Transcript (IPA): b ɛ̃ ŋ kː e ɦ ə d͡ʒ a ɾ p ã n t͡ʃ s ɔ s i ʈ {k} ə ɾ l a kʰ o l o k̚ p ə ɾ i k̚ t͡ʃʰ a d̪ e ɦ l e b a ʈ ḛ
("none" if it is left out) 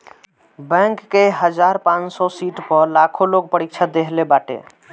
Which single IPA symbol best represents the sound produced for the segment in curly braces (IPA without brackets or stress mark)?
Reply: p